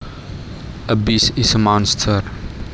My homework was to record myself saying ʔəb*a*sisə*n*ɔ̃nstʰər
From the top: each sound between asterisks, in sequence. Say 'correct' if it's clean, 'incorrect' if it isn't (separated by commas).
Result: incorrect, incorrect